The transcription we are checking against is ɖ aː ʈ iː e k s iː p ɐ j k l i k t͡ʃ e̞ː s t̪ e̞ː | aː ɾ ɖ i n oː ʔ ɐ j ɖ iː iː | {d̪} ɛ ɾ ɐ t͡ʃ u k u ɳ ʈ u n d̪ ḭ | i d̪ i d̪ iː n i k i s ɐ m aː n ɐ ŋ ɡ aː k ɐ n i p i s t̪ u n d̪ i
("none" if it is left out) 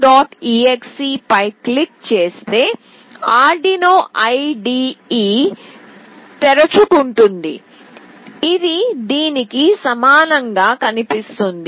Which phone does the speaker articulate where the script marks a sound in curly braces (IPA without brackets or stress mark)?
t̪